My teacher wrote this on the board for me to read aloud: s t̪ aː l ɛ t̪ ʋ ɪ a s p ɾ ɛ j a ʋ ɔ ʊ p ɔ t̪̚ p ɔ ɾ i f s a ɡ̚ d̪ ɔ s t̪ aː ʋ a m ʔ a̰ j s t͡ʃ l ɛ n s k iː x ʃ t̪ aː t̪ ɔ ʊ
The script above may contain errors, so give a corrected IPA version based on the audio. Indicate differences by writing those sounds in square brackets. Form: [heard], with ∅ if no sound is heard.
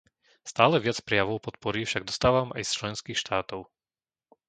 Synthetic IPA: s t̪ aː l ɛ [∅] ʋ ɪ a [t͡s] p ɾ ɛ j a ʋ ɔ ʊ p ɔ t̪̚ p ɔ ɾ i f [ʃ] a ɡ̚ d̪ ɔ s t̪ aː ʋ a m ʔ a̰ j s t͡ʃ l ɛ n s k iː x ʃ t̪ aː t̪ ɔ ʊ

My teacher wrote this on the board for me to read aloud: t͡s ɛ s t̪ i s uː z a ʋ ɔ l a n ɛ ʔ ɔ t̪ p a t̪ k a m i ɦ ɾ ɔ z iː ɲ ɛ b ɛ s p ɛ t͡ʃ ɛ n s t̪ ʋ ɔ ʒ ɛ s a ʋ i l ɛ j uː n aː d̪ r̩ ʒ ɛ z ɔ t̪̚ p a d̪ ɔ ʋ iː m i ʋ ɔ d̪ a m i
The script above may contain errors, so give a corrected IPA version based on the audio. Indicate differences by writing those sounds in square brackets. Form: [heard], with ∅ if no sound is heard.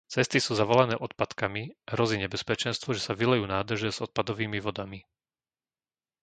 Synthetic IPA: t͡s ɛ s t̪ i s uː z a ʋ ɔ l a n [ɛː] ʔ ɔ t̪ p a t̪ k a m i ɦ ɾ ɔ z iː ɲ ɛ b ɛ s p ɛ t͡ʃ ɛ n s t̪ ʋ ɔ ʒ ɛ s a ʋ i l ɛ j uː n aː d̪ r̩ ʒ ɛ z ɔ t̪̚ p a d̪ ɔ ʋ iː m i ʋ ɔ d̪ a m i

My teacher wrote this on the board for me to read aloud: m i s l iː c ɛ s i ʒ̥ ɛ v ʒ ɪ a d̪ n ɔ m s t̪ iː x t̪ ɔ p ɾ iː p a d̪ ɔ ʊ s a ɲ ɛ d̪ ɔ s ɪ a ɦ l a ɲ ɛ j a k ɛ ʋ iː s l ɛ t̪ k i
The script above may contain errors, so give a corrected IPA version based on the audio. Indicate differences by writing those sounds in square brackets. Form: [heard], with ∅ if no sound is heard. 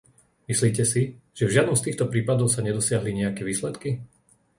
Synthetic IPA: m i s l iː c ɛ s i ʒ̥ ɛ v ʒ ɪ a d̪ n ɔ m s t̪ iː x t̪ ɔ p ɾ iː p a d̪ ɔ ʊ s a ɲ ɛ d̪ ɔ s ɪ a ɦ l [i] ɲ ɛ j a k ɛ ʋ iː s l ɛ t̪ k i

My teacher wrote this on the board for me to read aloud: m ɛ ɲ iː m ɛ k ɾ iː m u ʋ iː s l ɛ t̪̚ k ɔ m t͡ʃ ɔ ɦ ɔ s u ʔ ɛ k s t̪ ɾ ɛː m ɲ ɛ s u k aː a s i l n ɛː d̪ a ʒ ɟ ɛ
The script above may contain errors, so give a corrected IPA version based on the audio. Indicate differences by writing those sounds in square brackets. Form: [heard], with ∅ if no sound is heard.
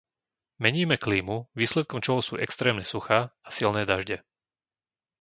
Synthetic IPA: m ɛ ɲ iː m ɛ k [l] iː m u ʋ iː s l ɛ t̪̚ k ɔ m t͡ʃ ɔ ɦ ɔ s [uː] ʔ ɛ k s t̪ ɾ ɛː m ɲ ɛ s u [x] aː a s i l n ɛː d̪ a ʒ ɟ ɛ

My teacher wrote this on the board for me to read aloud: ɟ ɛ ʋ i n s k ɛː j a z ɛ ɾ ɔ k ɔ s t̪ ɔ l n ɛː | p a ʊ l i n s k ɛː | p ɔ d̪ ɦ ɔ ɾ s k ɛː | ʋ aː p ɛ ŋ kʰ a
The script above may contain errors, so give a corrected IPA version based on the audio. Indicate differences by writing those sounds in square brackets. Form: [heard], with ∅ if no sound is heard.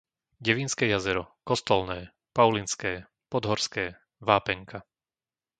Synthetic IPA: ɟ ɛ ʋ i n s k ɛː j a z ɛ ɾ ɔ k ɔ s t̪ ɔ l n ɛː | p a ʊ l i n s k ɛː | p ɔ d̪ ɦ ɔ ɾ s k ɛː | ʋ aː p ɛ ŋ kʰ a

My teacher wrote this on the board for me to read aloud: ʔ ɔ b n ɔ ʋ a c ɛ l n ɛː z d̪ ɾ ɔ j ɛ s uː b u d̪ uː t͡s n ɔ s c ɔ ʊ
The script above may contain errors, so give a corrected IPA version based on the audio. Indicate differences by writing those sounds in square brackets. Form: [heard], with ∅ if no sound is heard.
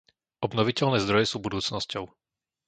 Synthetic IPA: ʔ ɔ b n ɔ ʋ [i] c ɛ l n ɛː z d̪ ɾ ɔ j ɛ s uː b u d̪ uː t͡s n ɔ s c ɔ ʊ

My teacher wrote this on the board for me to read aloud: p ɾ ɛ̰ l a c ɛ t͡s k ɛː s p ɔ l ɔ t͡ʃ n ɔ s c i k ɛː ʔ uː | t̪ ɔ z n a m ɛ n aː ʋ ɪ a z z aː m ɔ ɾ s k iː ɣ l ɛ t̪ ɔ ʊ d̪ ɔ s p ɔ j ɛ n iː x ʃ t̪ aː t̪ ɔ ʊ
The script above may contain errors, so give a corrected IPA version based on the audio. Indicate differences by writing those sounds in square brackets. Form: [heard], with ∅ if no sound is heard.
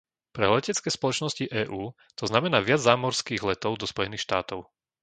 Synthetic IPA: p ɾ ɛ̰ l [ɛ] c ɛ t͡s k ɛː s p ɔ l ɔ t͡ʃ n ɔ s c i [ʔ] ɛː ʔ uː | t̪ ɔ z n a m ɛ n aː ʋ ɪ a [d͡z] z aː m ɔ ɾ s k iː ɣ l ɛ t̪ ɔ ʊ d̪ ɔ s p ɔ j ɛ n iː x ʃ t̪ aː t̪ ɔ ʊ

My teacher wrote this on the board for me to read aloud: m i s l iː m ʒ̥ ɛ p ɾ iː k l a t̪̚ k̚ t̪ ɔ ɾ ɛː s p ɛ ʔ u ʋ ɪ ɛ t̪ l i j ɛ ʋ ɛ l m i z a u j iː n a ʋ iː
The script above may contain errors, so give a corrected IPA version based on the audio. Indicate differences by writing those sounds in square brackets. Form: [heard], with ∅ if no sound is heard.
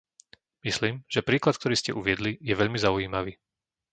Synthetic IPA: m i s l iː m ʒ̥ ɛ p ɾ iː k l a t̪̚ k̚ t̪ ɔ ɾ [iː] s [c] ɛ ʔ u ʋ ɪ ɛ [d̪] l i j ɛ ʋ ɛ [ʎ] m i z a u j iː [m] a ʋ iː

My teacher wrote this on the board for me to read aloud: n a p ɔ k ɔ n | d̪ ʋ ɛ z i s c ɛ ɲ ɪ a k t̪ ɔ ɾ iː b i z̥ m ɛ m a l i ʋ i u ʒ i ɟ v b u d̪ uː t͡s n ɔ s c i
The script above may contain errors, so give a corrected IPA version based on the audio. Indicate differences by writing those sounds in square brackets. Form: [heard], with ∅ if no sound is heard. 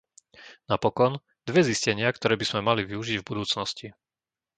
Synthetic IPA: n a p ɔ k ɔ n | d̪ ʋ ɛ z i s c ɛ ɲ ɪ a k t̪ ɔ ɾ [ɛː] b i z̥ m ɛ m a l i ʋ i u ʒ i ɟ v b u d̪ uː t͡s n ɔ s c i

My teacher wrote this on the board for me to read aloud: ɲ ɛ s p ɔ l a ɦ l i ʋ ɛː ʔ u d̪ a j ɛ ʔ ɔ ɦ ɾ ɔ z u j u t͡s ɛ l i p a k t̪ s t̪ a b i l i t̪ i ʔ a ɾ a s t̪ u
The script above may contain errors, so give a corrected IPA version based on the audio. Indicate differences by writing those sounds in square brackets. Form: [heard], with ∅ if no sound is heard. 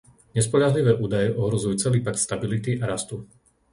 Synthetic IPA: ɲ ɛ s p ɔ [ʎ] a ɦ l i ʋ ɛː ʔ [uː] d̪ a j ɛ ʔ ɔ ɦ ɾ ɔ z u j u t͡s ɛ l [iː] p a k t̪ s t̪ a b i l i t̪ i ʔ a ɾ a s t̪ u

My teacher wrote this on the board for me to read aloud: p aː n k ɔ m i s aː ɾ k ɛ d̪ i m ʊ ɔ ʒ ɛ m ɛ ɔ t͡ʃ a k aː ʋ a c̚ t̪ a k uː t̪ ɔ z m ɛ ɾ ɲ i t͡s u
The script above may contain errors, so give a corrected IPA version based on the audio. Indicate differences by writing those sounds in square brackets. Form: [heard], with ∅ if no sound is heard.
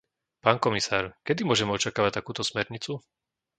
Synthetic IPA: p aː n k ɔ m i s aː ɾ k ɛ d̪ i m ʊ ɔ ʒ ɛ m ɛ ɔ t͡ʃ a k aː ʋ a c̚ t̪ a k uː t̪ ɔ [s] m ɛ ɾ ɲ i t͡s u

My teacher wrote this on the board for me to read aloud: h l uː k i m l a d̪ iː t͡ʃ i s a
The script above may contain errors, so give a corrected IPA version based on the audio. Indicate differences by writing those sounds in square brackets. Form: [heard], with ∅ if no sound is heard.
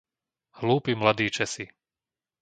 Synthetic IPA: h l uː [p] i m l a d̪ iː t͡ʃ [ɛ] s [i]

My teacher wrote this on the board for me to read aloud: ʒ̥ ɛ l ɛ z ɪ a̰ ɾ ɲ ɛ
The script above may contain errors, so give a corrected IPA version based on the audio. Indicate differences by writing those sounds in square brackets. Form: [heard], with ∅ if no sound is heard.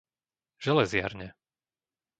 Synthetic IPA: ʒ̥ ɛ l ɛ z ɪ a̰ ɾ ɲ ɛ

